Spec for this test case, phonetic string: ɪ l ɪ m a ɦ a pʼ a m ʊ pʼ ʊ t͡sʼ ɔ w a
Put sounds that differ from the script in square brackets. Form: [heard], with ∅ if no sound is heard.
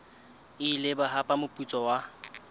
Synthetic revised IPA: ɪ l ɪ [b] a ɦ a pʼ a m ʊ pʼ [u] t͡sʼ ɔ w a